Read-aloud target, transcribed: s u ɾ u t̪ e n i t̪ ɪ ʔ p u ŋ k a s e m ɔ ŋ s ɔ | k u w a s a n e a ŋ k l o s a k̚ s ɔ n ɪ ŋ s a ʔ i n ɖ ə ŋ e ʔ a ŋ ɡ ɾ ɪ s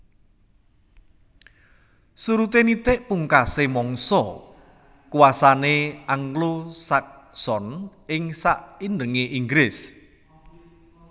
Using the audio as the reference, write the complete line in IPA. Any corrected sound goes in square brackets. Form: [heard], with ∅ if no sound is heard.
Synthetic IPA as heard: s u ɾ u t̪ e n i t̪ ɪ ʔ p u ŋ k a s e m ɔ ŋ s ɔ | k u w a s a n e a ŋ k l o s a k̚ s ɔ n ɪ ŋ s a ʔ i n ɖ ə ŋ e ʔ [i] ŋ ɡ ɾ ɪ s